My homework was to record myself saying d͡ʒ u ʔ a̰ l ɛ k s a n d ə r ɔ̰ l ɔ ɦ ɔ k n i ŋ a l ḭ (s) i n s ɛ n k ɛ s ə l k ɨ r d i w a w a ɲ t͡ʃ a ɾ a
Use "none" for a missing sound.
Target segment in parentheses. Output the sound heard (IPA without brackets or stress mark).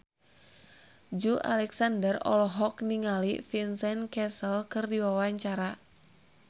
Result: f